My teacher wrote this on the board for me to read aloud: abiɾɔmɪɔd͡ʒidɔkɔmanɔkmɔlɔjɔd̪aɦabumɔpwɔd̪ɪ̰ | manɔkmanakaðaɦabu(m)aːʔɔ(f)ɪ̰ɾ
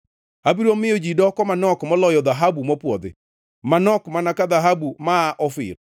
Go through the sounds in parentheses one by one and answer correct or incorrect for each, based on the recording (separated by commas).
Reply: correct, correct